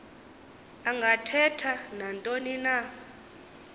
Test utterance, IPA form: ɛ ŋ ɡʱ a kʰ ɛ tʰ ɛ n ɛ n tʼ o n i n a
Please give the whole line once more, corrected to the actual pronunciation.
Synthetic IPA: a ŋ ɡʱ a tʰ ɛ tʰ a n a n tʼ o n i n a